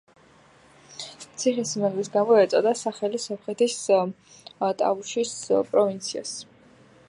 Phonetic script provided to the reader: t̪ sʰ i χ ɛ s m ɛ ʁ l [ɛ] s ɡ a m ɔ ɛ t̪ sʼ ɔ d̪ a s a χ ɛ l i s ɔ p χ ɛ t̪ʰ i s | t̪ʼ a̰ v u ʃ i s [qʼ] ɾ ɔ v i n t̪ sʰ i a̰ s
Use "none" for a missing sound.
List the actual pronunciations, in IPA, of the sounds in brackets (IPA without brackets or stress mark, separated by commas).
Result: i, pʼ